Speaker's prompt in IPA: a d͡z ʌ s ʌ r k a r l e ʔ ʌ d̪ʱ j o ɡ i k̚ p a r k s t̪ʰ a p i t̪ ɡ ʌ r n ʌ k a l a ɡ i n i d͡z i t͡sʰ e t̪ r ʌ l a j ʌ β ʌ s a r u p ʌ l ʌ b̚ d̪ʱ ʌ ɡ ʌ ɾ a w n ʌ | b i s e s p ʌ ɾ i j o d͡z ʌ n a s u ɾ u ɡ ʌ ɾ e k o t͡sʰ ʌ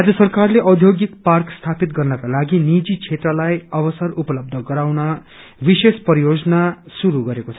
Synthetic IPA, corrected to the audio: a d͡z ʌ s ʌ r k a r l e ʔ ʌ d̪ʱ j o ɡ i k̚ p a r k s t̪ʰ a p i t̪ ɡ ʌ r n ʌ k a l a ɡ i n i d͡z i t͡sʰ e t̪ r ʌ l a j ʌ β ʌ s ʌ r u p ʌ l ʌ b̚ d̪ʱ ʌ ɡ ʌ ɾ a w n ʌ | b i s e s p ʌ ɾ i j o d͡z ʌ n a s u ɾ u ɡ ʌ ɾ e k o t͡sʰ ʌ